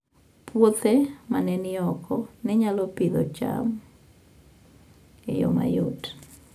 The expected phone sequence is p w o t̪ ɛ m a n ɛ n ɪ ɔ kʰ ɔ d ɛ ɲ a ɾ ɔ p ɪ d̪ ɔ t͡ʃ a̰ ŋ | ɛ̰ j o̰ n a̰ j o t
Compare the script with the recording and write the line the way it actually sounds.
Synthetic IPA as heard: p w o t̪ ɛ m a n ɛ n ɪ ɔ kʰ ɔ n ɛ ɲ a l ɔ p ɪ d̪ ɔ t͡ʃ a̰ m | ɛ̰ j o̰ m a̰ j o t